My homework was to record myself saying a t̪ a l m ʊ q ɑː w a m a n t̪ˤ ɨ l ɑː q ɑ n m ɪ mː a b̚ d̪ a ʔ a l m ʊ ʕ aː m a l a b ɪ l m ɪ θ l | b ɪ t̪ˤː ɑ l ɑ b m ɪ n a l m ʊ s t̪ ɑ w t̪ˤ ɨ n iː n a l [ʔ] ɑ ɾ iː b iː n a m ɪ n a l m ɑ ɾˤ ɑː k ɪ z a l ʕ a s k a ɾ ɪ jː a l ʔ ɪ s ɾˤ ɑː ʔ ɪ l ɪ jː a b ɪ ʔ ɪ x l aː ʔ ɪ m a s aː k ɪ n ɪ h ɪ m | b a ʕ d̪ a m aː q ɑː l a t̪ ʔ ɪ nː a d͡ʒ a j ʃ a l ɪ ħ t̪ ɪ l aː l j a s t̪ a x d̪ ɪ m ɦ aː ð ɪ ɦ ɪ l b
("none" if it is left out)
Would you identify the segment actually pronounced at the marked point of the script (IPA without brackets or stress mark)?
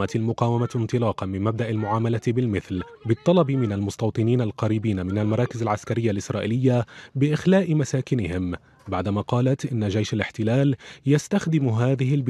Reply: q